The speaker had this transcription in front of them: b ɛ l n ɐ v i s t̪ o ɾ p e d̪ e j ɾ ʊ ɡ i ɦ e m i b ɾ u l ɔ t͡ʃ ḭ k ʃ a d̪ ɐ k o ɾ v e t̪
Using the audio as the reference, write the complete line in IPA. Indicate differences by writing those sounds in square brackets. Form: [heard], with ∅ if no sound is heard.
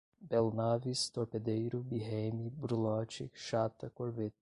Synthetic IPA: b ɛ l n [a] v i s t̪ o ɾ p e d̪ e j ɾ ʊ [b] i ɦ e m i b ɾ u l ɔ t͡ʃ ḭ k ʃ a [t̪] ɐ k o ɾ v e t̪